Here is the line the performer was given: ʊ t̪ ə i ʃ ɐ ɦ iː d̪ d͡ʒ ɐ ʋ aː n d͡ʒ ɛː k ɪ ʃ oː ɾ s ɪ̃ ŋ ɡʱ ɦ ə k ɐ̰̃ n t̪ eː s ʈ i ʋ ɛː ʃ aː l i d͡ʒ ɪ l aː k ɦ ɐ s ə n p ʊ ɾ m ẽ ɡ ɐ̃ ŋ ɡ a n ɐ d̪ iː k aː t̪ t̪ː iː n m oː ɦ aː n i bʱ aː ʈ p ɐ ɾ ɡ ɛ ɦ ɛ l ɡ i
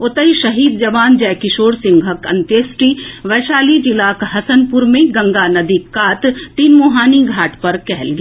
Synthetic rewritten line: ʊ t̪ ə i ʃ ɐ ɦ iː d̪ d͡ʒ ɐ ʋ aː n d͡ʒ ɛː k ɪ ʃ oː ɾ s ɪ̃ ŋ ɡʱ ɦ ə k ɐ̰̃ n t̪ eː s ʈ i ʋ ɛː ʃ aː l i d͡ʒ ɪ l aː k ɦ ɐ s ə n p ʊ ɾ m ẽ ɡ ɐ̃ ŋ ɡ a n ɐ d̪ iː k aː t̪ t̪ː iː n m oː ɦ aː n i ɡʱ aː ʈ p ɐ ɾ k ɛ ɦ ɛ l ɡ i